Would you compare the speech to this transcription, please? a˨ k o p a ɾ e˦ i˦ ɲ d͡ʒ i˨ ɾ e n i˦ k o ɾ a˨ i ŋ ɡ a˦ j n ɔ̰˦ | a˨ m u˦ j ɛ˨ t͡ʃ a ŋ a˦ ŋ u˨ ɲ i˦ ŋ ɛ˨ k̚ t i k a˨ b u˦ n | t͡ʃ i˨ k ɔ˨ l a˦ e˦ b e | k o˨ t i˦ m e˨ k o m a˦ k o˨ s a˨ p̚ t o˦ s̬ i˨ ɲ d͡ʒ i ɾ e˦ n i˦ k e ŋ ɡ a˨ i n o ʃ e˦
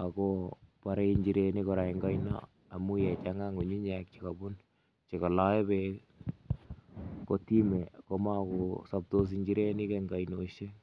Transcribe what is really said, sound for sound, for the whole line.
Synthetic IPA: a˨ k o p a ɾ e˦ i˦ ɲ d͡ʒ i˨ ɾ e n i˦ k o ɾ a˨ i ŋ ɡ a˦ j n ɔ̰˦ | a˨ m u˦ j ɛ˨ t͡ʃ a ŋ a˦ ŋ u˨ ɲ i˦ ɲ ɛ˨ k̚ t͡ʃ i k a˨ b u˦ n | t͡ʃ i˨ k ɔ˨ l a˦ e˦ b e | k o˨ t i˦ m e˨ k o m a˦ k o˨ s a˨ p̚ t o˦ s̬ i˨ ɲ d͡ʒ i ɾ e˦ n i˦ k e ŋ ɡ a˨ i n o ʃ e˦